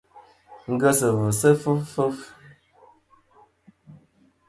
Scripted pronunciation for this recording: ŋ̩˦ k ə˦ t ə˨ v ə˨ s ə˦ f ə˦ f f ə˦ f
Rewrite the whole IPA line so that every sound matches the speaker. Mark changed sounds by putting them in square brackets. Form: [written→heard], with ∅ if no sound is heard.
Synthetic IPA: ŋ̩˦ [k→ɡ] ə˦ [t→s] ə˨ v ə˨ s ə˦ f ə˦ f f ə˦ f

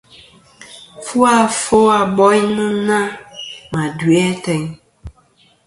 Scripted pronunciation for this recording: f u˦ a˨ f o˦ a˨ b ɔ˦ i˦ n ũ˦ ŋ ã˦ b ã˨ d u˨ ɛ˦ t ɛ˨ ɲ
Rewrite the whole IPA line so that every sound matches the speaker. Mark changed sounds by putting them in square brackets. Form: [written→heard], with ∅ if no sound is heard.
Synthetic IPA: f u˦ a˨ f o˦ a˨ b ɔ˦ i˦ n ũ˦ [ŋ→n] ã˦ [b→m] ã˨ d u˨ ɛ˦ t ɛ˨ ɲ

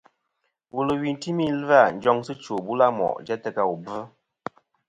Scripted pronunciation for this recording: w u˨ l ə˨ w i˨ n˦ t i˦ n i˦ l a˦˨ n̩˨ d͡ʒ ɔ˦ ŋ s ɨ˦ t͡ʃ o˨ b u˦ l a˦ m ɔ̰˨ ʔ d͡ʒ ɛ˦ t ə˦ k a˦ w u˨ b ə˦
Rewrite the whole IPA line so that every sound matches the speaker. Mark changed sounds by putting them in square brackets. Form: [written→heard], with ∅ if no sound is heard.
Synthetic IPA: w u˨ l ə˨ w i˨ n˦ t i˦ [n→m] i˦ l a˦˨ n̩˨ d͡ʒ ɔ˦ ŋ s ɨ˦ t͡ʃ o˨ b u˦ l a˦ m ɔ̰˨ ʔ d͡ʒ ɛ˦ t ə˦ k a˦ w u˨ b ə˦

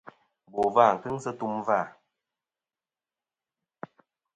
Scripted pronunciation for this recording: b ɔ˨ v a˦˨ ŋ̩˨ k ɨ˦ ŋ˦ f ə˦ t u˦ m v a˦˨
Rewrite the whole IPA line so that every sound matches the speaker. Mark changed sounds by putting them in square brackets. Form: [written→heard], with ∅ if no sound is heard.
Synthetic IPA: b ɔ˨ v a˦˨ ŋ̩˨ k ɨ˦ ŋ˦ [f→s] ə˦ t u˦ m v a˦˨

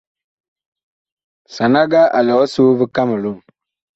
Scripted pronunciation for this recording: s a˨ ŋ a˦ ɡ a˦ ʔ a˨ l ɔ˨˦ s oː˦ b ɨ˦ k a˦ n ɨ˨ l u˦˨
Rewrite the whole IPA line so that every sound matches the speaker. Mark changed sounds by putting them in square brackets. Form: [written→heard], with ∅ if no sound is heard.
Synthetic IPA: s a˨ [ŋ→n] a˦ ɡ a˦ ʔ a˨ l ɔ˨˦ s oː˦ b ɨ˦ k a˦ [n→m] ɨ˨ l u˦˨

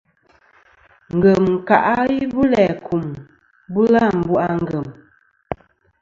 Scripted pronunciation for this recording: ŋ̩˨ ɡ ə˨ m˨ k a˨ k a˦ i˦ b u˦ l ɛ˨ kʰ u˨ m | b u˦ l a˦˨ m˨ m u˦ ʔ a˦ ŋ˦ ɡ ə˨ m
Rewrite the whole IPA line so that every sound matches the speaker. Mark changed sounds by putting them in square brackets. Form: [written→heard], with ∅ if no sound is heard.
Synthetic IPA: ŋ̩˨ ɡ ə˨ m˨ k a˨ [k→ʔ] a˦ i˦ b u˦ l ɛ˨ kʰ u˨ m | b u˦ l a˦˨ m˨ [m→b] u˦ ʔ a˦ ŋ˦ ɡ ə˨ m

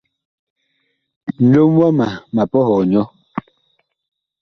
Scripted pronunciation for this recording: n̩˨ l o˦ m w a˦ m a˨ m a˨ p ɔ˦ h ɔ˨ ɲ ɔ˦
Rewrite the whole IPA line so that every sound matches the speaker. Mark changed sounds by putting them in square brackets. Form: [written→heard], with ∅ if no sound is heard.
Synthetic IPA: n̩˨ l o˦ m w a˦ m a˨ m a˨ p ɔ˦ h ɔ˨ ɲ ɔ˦

